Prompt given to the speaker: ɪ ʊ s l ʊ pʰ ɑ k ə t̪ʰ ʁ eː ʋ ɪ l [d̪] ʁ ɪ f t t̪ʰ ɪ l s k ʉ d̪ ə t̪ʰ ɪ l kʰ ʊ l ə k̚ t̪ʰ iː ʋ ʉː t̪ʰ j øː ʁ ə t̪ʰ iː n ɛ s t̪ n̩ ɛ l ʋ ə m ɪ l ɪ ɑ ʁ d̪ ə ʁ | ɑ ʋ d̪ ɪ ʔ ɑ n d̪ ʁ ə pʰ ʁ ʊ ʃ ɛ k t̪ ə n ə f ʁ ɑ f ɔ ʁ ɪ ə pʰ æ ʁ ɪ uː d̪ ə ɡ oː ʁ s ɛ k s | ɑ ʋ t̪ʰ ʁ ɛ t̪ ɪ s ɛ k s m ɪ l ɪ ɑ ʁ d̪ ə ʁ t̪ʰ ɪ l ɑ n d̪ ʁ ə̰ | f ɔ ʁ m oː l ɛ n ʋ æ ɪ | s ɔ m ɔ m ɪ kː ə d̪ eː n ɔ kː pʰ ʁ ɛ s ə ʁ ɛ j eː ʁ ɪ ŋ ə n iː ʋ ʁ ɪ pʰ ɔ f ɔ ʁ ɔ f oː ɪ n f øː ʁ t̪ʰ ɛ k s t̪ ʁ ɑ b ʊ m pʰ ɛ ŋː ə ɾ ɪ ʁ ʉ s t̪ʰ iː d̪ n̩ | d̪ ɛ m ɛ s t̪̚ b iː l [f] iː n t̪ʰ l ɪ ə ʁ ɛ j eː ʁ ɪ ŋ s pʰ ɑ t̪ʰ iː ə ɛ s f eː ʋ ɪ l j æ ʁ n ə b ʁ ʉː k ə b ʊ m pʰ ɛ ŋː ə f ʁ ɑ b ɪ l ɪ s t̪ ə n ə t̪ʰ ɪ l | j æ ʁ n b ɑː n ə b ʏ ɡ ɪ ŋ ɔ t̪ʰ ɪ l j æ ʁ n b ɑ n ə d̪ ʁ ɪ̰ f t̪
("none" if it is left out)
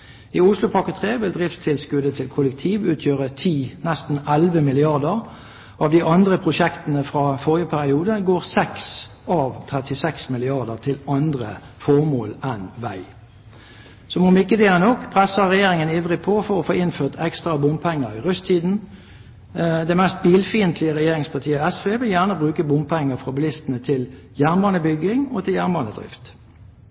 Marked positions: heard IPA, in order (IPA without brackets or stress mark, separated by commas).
d̪, f